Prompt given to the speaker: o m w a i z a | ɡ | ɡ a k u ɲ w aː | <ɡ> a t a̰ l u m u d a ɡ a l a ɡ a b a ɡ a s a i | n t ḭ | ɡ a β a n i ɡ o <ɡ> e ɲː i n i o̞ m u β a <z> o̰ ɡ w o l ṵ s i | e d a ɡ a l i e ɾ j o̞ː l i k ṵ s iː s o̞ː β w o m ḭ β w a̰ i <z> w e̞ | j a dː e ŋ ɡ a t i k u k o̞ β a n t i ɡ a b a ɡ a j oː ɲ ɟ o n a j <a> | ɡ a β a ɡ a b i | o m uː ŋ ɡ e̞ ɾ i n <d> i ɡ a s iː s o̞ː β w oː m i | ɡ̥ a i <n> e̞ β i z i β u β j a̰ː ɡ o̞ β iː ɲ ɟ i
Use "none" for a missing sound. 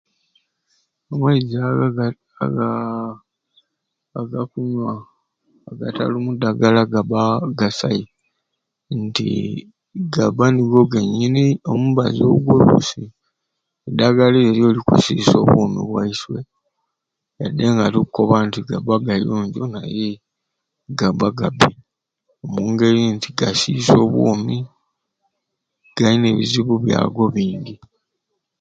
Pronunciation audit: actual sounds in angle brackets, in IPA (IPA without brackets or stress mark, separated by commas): ɡ, ɡ, z, s, e, t, n